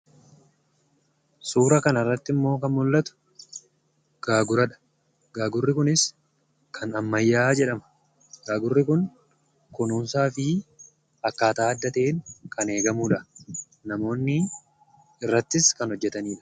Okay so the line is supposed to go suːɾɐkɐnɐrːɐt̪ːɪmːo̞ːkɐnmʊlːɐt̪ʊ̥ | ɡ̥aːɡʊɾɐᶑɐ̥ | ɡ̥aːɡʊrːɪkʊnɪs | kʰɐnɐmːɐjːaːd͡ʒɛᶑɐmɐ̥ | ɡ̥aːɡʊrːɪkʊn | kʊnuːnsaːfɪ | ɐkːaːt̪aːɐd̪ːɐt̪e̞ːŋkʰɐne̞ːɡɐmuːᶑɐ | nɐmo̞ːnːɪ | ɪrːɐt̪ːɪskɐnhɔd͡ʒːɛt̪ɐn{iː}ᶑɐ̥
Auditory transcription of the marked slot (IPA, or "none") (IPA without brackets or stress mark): iː